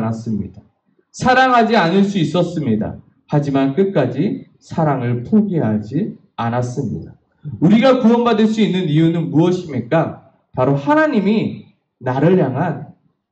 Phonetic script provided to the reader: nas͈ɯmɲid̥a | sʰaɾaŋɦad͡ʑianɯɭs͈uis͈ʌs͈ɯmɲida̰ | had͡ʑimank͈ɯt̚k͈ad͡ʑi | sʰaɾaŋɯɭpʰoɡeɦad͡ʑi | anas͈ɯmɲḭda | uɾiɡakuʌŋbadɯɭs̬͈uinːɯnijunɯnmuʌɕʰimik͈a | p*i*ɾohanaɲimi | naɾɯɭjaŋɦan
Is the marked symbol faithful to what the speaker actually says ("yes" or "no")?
no